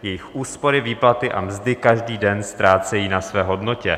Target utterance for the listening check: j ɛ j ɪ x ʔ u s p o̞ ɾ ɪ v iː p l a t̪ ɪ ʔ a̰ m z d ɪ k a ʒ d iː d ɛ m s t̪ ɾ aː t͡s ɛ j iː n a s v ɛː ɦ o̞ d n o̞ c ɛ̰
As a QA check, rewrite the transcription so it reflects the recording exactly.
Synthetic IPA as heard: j ɛ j ɪ x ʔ uː s p o̞ ɾ ɪ v iː p l a t̪ ɪ ʔ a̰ m z d ɪ k a ʒ d iː d ɛ n s t̪ ɾ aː t͡s ɛ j iː n a s v ɛː ɦ o̞ d n o̞ c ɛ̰

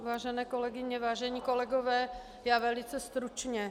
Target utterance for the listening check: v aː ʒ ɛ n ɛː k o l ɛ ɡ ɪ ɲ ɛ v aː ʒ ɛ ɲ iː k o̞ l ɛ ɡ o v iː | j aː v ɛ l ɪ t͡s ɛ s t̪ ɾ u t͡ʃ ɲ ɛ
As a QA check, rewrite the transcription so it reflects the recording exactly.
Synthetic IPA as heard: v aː ʒ ɛ n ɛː k o l ɛ ɡ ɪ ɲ ɛ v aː ʒ ɛ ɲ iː k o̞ l ɛ ɡ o v ɛː | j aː v ɛ l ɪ t͡s ɛ s t̪ ɾ u t͡ʃ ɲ ɛ

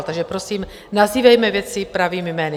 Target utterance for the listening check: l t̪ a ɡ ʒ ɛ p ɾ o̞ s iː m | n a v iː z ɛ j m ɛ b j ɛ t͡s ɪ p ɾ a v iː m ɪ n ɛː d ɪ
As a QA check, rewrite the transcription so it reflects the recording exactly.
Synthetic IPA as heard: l t̪ a ɡ ʒ ɛ p ɾ o̞ s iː m | n a z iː v ɛ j m ɛ v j ɛ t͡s ɪ p ɾ a v iː m ɪ m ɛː n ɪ

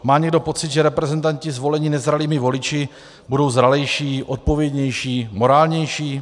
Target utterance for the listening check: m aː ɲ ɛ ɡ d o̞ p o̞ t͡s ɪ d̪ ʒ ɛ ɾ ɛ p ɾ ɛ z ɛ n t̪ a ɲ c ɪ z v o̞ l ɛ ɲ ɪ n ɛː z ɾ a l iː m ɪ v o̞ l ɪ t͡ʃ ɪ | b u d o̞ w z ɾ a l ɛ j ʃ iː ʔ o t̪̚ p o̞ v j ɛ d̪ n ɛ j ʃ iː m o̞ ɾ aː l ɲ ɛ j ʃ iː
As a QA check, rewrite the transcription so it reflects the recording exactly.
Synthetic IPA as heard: m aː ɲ ɛ ɡ d o̞ p o̞ t͡s ɪ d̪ ʒ ɛ ɾ ɛ p ɾ ɛ z ɛ n t̪ a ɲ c ɪ z v o̞ l ɛ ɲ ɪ n ɛ z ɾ a l iː m ɪ v o̞ l ɪ t͡ʃ ɪ | b u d o̞ w z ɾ a l ɛ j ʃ iː ʔ o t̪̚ p o̞ v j ɛ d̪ ɲ ɛ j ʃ iː m o̞ ɾ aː l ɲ ɛ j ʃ iː

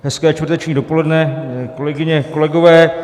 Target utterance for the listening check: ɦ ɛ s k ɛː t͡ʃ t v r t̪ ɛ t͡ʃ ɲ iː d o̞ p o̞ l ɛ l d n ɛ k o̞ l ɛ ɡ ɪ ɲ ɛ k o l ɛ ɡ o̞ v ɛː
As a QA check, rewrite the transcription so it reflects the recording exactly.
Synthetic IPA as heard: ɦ ɛ s k ɛː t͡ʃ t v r t̪ ɛ t͡ʃ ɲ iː d o̞ p o̞ l ɛ d n ɛ k o̞ l ɛ ɡ ɪ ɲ ɛ k o l ɛ ɡ o̞ v ɛː

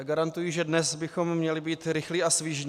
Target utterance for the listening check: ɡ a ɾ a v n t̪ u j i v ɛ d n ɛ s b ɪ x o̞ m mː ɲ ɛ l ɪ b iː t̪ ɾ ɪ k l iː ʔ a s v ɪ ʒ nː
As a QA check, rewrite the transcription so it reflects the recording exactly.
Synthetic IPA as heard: ɡ a ɾ a n t̪ u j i ʒ ɛ d n ɛ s b ɪ x o̞ m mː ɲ ɛ l ɪ b iː t̪ ɾ ɪ x l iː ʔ a s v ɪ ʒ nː

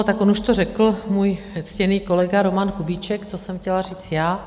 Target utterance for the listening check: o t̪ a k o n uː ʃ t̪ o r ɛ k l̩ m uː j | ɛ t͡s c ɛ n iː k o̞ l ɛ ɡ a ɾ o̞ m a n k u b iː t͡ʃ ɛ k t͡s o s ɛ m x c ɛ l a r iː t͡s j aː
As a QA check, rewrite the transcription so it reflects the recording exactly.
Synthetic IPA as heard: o t̪ a k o n u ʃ t̪ o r ɛ k l̩ m uː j | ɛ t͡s c ɛ n iː k o̞ l ɛ ɡ a ɾ o̞ m a n k u b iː t͡ʃ ɛ k t͡s o s ɛ m x c ɛ l a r iː t͡s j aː

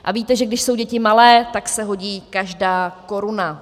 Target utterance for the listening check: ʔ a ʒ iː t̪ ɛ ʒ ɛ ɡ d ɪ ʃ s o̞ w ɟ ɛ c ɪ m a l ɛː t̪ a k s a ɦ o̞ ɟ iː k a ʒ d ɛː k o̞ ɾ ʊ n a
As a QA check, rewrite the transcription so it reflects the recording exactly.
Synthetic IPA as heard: ʔ a v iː t̪ ɛ ʒ ɛ ɡ d ɪ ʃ s o̞ w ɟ ɛ c ɪ m a l ɛː t̪ a k s ɛ ɦ o̞ ɟ iː k a ʒ d aː k o̞ ɾ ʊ n a

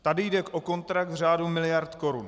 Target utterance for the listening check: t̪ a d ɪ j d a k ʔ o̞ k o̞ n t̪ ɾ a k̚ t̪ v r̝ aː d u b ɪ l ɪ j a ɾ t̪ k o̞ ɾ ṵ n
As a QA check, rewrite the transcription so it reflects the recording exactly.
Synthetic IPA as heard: t̪ a d ɪ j d ɛ k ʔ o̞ k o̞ n t̪ ɾ a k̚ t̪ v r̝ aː d u m ɪ l ɪ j a ɾ t̪ k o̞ ɾ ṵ n

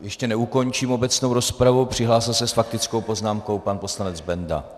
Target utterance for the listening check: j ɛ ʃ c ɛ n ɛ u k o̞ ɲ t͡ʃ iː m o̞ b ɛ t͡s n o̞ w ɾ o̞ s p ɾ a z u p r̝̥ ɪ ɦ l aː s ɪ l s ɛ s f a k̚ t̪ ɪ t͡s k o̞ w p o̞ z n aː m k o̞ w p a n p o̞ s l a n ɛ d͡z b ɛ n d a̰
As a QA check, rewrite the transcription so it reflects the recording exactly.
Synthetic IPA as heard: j ɛ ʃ c ɛ n ɛ u k o̞ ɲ t͡ʃ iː m o̞ b ɛ t͡s n o̞ w ɾ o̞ s p ɾ a v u p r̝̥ ɪ ɦ l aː s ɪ l s ɛ s f a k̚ t̪ ɪ t͡s k o̞ w p o̞ z n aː m k o̞ w p a n p o̞ s l a n ɛ d͡z b ɛ n d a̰

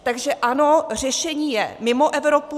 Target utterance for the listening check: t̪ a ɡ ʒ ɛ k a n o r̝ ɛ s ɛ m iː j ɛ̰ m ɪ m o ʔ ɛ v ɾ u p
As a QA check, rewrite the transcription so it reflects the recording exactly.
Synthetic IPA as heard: t̪ a ɡ ʒ ɛ ʔ a n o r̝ ɛ ʃ ɛ ɲ iː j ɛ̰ m ɪ m o ʔ ɛ v ɾ o p

